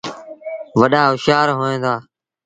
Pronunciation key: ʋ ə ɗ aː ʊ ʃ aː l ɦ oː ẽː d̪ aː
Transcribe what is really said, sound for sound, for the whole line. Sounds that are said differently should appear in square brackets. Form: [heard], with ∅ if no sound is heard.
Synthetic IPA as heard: ʋ ə ɗ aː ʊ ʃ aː [ɾ] ɦ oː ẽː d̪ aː